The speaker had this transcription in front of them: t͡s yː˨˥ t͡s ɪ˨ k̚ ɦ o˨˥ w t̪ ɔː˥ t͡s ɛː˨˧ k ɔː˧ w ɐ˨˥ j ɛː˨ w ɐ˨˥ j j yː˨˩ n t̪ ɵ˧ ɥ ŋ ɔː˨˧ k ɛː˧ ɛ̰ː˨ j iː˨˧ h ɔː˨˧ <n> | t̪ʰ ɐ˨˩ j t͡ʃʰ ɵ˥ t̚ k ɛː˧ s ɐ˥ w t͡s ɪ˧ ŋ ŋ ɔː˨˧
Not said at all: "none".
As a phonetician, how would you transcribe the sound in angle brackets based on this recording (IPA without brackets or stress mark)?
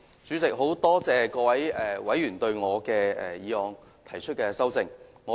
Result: ŋ